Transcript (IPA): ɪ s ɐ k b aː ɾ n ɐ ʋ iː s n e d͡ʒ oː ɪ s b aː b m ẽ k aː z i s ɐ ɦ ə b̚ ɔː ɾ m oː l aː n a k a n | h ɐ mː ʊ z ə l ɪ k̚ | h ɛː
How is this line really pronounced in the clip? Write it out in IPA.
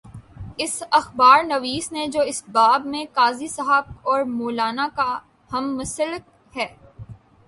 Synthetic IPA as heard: ɪ s ɐ x b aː ɾ n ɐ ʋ iː s n e d͡ʒ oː ɪ s b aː b m ẽ k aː z i s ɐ ɦ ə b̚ ɔː ɾ m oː l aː n a k a | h ɐ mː ʊ s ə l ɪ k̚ | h ɛː